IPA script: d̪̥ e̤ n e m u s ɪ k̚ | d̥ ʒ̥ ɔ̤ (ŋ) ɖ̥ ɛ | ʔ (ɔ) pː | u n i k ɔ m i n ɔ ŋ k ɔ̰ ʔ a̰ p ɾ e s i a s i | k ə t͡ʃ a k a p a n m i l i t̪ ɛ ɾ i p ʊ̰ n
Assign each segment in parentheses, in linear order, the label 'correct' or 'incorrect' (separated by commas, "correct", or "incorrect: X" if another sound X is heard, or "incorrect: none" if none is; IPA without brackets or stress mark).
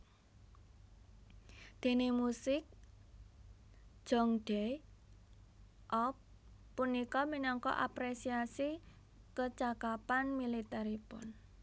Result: correct, correct